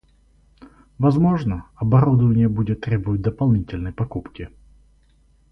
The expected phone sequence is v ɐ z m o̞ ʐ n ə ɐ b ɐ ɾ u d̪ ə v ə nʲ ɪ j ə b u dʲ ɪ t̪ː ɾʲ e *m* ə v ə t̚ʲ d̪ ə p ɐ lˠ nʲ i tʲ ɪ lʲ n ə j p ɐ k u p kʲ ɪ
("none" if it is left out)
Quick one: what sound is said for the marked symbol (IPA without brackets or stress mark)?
b